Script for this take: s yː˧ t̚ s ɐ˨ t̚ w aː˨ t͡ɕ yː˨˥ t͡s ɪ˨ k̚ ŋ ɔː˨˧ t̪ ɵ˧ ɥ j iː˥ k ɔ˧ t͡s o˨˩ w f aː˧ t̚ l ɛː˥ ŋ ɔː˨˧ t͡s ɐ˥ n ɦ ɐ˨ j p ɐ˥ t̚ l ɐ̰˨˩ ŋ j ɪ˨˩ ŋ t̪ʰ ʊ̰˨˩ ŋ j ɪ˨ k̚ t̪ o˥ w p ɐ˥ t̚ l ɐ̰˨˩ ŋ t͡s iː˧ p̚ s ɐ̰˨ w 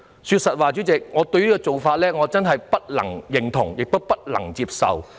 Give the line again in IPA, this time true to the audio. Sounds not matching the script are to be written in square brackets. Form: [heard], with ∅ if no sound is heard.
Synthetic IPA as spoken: s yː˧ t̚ s ɐ˨ t̚ w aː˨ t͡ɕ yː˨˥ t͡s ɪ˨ k̚ ŋ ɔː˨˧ t̪ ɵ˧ ɥ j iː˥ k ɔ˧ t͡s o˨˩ w f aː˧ t̚ l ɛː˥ ŋ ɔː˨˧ t͡s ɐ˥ n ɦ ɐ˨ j p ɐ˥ t̚ l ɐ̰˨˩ ŋ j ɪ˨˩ ŋ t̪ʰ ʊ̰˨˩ ŋ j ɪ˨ k̚ t̪ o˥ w p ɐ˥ t̚ l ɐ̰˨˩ ŋ t͡s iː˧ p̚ s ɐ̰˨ w